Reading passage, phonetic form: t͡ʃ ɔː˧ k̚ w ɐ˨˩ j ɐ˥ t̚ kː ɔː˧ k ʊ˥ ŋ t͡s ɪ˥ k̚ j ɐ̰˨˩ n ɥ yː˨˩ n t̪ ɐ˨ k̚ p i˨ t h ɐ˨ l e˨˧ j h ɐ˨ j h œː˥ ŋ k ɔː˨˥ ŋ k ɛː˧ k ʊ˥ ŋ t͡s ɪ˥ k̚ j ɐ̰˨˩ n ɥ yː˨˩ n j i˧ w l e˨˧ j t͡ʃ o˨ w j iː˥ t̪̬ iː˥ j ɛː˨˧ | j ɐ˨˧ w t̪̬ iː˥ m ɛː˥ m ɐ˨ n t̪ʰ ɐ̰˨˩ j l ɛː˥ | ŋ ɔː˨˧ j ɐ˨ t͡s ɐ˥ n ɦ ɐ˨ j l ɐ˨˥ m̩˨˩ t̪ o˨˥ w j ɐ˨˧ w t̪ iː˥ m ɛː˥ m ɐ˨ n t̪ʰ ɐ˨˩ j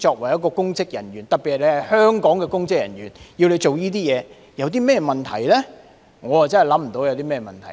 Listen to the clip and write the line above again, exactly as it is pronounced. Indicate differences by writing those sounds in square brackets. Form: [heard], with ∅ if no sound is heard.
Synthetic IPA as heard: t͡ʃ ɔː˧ k̚ w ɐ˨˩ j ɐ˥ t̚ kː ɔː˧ k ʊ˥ ŋ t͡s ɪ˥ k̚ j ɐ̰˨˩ n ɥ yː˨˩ n t̪ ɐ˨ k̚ p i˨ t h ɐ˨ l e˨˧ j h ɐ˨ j h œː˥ ŋ k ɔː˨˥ ŋ k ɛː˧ k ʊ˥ ŋ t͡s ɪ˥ k̚ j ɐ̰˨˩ n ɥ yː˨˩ n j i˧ w l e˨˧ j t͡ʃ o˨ w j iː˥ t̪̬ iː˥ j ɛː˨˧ | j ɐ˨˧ w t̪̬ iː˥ m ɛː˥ m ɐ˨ n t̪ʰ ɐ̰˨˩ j l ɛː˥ | ŋ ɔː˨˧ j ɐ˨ t͡s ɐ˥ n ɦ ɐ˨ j l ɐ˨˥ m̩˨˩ t̪ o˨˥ w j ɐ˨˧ w t̪ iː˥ m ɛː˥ m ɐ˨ n t̪ʰ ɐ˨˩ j

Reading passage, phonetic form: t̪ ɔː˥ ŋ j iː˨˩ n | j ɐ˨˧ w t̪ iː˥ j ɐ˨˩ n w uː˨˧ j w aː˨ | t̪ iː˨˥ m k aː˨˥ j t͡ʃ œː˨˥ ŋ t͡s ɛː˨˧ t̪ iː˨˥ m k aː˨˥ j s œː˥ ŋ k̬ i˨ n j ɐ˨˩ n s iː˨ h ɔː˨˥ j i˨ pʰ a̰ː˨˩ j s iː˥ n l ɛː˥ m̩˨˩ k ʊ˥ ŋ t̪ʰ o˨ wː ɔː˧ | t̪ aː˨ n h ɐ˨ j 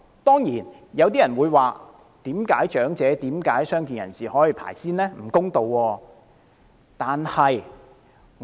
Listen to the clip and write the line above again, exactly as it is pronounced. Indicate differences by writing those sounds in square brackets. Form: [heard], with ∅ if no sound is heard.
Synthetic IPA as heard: t̪ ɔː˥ ŋ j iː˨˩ n | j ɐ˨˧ w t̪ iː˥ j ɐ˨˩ n w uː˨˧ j w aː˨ | t̪ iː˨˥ m k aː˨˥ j t͡ʃ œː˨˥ ŋ t͡s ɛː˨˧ t̪ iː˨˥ m k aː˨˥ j s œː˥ ŋ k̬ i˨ n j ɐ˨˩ n s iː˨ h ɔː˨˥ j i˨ pʰ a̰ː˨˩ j s iː˥ n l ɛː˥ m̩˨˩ k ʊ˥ ŋ [t̪] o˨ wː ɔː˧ | t̪ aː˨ n h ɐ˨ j

